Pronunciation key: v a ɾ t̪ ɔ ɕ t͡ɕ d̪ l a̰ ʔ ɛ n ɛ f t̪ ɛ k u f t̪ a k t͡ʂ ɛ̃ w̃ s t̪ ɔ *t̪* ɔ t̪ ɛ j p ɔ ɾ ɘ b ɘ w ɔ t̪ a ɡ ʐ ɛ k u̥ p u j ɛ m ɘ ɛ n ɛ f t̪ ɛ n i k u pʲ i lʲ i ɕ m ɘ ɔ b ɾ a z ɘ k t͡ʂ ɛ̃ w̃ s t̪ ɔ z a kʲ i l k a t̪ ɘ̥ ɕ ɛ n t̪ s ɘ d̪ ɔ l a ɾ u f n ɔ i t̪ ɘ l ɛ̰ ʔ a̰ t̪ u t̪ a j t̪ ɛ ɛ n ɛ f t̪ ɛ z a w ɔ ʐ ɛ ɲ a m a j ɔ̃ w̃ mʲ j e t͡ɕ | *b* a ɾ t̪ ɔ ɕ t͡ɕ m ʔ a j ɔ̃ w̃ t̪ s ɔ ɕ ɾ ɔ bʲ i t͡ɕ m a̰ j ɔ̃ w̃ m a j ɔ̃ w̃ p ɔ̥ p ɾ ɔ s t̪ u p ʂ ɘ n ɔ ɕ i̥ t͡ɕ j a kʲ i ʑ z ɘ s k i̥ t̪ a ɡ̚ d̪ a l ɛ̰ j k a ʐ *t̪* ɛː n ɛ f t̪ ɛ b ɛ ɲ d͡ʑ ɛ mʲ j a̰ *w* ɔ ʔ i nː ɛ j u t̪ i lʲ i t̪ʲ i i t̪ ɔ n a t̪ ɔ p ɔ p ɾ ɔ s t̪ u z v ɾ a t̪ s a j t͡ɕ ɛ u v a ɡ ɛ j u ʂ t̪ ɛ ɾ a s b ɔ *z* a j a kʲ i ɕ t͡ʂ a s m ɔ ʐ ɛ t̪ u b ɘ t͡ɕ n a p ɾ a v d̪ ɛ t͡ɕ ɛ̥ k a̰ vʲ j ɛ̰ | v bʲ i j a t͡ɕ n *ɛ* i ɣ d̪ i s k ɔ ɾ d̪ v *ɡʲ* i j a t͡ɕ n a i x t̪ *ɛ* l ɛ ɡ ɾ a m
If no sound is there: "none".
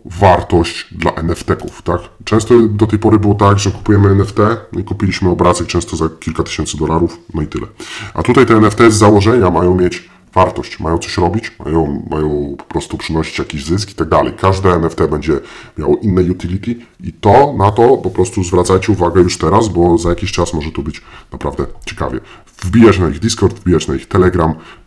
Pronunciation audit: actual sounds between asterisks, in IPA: d̪, v, d̪, w, z, a, bʲ, ɛ

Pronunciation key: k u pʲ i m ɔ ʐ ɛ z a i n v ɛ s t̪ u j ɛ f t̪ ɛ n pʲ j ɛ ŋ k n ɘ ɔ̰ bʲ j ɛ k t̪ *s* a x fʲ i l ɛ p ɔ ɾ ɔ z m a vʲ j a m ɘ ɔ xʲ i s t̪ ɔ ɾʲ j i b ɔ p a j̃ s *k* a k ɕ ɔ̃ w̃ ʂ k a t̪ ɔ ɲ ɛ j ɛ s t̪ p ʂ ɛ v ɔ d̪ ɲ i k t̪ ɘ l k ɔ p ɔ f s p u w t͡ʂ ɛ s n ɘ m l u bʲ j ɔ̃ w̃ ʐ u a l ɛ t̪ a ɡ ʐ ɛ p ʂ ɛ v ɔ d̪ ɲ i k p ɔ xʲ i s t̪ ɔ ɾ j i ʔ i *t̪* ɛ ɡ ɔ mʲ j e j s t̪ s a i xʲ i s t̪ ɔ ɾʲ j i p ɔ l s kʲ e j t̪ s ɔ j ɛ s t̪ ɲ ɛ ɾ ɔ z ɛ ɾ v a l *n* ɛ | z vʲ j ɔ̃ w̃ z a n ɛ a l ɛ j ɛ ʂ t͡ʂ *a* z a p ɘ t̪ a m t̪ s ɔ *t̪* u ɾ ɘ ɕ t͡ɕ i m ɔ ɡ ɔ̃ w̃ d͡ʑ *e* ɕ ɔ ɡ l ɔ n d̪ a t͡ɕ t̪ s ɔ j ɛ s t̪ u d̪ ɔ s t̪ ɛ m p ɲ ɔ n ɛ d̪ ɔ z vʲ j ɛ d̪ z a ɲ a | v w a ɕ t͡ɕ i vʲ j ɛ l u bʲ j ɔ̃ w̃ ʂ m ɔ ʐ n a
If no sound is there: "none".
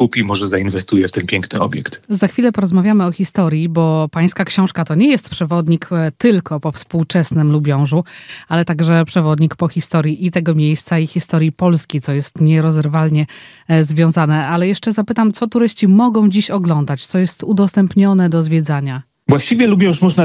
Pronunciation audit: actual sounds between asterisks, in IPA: z, k, t̪, ɲ, ɛ, t̪, i

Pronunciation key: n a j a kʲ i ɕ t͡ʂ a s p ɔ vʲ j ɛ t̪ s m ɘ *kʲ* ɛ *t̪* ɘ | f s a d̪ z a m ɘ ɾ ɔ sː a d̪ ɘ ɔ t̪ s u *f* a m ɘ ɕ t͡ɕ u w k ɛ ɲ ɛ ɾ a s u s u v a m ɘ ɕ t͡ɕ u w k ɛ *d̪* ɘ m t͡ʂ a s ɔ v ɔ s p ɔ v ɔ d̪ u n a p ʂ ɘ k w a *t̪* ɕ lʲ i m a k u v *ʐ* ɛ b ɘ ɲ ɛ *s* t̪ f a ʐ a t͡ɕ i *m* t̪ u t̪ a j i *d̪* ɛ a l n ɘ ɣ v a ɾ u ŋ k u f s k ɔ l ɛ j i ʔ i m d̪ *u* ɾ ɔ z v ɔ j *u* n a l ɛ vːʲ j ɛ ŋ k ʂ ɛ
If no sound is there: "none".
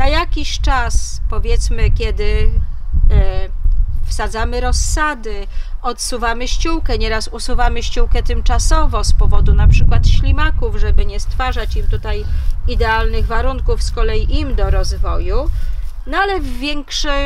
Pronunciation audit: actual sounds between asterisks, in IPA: kʲ, d̪, v, t̪, t̪, ʐ, s, m, d̪, ɔ, u

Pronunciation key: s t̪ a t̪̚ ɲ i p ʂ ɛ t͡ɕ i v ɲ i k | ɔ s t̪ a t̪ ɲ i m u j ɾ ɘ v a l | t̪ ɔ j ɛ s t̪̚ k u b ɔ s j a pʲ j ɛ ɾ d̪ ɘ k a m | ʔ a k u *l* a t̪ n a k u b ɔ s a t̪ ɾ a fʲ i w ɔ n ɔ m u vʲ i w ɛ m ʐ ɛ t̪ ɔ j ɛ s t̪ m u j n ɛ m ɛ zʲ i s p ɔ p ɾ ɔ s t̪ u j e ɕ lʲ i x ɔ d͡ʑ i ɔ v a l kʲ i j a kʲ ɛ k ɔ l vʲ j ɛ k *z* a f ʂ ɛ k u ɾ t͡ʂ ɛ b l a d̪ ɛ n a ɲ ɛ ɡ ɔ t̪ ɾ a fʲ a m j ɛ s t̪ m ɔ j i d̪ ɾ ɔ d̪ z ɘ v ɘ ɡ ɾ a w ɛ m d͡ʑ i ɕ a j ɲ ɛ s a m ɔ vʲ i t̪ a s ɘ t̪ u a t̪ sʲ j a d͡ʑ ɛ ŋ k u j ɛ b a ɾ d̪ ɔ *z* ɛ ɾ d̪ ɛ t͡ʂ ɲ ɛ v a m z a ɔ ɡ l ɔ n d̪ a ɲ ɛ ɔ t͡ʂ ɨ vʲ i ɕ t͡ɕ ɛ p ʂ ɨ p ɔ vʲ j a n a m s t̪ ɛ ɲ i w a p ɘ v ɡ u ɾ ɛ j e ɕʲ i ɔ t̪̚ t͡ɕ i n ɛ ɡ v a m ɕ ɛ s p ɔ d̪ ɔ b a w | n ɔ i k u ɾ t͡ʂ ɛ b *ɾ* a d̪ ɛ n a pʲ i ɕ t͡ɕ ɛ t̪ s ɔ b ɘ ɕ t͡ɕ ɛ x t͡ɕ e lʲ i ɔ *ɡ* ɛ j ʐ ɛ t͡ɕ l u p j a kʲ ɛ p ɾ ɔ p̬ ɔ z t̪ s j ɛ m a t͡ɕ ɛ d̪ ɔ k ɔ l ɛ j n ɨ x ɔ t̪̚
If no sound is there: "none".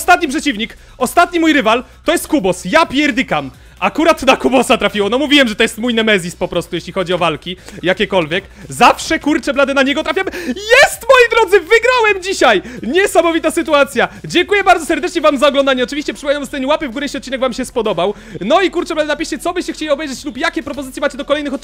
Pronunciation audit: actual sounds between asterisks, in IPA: ɾ, z, s, l, b

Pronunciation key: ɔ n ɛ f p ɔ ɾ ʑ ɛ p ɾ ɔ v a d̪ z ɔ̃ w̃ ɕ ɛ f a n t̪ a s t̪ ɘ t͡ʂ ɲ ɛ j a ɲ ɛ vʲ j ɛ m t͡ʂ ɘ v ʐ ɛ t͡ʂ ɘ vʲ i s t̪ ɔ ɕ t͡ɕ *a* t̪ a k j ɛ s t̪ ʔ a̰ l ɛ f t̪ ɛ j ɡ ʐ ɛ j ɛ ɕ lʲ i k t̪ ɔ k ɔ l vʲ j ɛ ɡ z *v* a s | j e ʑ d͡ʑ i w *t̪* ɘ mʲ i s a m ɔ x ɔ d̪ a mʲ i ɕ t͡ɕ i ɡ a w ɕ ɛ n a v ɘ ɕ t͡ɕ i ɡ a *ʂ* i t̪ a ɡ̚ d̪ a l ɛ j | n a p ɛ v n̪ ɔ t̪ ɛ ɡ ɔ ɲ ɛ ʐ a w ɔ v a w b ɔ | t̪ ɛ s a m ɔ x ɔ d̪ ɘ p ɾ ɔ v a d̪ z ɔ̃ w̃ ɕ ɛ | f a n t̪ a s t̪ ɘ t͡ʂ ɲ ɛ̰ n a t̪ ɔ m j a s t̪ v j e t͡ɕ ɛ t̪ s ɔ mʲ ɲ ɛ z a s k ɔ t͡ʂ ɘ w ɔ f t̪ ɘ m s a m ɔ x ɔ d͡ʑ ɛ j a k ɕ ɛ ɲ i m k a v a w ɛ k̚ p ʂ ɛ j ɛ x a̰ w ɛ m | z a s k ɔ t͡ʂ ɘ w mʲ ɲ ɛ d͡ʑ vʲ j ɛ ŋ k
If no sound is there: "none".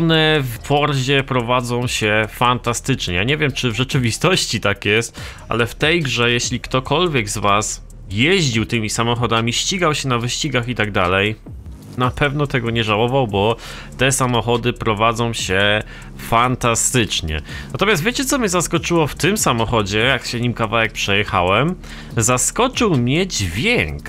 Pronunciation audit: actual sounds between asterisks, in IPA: i, v, t̪, x

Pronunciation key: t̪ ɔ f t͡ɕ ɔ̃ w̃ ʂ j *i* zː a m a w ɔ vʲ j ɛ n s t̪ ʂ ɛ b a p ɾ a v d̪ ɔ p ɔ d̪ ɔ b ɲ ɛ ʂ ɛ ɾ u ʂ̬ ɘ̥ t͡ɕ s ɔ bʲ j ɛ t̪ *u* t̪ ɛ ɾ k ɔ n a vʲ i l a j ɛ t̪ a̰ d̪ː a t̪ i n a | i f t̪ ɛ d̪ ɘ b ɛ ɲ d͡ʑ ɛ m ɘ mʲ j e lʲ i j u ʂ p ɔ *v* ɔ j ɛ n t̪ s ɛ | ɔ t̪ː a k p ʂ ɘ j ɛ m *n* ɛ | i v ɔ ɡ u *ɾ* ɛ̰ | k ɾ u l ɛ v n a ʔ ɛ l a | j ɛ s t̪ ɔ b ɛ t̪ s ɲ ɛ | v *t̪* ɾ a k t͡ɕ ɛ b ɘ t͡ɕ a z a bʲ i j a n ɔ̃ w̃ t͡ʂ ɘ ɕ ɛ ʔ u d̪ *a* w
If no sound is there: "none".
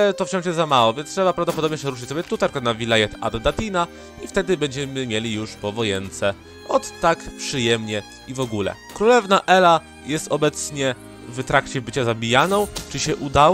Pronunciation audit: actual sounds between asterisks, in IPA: ɛ, u, v, ɲ, l, t̪, a

